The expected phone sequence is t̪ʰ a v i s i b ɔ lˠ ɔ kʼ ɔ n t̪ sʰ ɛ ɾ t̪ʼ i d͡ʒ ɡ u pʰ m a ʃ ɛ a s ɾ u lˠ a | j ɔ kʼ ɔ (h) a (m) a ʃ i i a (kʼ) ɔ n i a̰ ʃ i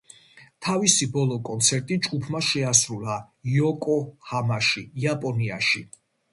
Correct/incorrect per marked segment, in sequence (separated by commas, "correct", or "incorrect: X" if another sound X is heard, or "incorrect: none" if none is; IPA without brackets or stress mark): correct, correct, incorrect: pʼ